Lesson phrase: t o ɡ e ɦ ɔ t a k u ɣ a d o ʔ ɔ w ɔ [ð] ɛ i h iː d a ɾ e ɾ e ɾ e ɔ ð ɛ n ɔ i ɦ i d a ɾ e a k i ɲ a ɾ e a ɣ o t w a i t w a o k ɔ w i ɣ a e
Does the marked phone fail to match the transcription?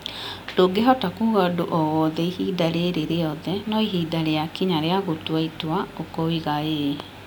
no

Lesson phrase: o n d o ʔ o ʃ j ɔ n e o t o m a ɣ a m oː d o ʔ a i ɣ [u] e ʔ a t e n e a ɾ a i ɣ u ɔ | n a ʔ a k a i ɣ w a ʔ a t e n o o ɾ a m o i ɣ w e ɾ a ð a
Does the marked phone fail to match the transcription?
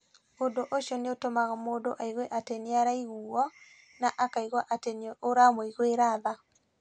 yes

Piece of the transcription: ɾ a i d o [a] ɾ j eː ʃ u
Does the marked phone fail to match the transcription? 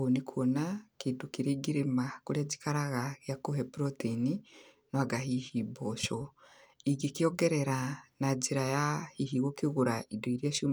yes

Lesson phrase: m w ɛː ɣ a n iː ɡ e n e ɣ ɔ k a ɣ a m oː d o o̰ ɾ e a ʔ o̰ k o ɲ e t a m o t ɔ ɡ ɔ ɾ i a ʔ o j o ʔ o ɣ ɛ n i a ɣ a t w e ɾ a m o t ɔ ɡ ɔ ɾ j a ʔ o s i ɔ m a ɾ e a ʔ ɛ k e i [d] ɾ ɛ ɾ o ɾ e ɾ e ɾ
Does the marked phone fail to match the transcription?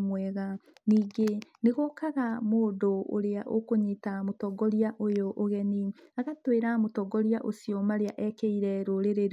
yes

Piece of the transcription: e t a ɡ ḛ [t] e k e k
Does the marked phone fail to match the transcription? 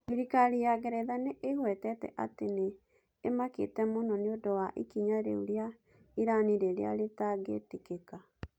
no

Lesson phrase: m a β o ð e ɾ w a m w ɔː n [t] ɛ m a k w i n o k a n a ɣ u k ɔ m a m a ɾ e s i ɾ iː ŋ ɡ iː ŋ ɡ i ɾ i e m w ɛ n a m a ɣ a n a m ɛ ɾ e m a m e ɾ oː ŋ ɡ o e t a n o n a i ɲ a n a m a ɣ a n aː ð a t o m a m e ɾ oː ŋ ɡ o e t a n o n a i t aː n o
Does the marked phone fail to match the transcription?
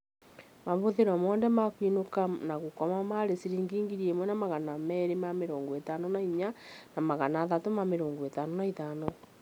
yes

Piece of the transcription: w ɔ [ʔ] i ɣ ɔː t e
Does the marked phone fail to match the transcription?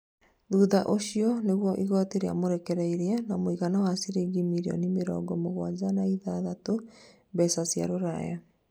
no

